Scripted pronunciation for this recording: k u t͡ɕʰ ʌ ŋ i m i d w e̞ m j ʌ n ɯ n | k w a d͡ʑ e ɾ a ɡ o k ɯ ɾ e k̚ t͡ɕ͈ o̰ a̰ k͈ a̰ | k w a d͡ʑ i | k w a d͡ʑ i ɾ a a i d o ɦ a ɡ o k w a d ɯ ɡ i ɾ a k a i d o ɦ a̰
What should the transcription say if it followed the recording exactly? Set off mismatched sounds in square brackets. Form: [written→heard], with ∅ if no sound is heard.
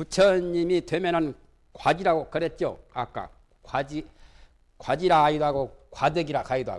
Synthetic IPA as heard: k u t͡ɕʰ ʌ [ŋ→ɲ] i m i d w e̞ m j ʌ n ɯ n | k w a d͡ʑ [e→i] ɾ a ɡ o k ɯ ɾ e [k̚→t̚] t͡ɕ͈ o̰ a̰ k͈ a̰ | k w a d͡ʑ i | k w a d͡ʑ i ɾ a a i d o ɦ a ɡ o k w a d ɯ ɡ i ɾ a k a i d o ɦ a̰